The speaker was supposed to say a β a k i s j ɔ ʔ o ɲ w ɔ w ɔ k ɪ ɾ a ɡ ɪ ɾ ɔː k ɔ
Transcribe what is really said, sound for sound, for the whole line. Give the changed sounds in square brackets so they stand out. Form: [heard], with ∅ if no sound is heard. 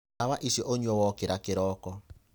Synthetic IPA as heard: a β a [ʔ] i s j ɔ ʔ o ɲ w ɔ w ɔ k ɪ ɾ a [k] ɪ ɾ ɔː k ɔ